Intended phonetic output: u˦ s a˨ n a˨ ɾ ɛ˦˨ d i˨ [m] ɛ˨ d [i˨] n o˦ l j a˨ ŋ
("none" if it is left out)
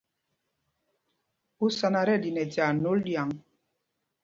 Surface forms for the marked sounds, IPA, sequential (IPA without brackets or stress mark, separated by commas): n, a˨